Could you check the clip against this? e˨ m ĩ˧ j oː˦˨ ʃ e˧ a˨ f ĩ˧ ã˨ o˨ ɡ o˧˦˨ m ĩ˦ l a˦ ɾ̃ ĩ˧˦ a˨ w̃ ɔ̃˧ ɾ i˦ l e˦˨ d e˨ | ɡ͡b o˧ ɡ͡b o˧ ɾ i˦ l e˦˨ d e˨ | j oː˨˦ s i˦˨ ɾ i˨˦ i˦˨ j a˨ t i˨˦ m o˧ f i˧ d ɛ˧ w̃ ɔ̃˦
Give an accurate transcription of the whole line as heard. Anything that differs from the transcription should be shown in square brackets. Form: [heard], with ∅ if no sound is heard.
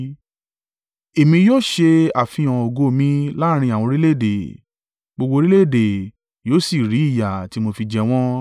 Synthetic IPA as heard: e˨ m ĩ˧ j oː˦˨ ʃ e˧ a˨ f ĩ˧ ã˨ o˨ ɡ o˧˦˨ m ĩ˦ l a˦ ɾ̃ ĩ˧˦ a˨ w̃ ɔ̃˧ ɾ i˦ l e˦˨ d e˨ | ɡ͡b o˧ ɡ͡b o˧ ɾ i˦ l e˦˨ d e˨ | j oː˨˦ s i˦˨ ɾ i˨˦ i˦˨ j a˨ t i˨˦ m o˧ f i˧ [d͡ʒ] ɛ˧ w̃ ɔ̃˦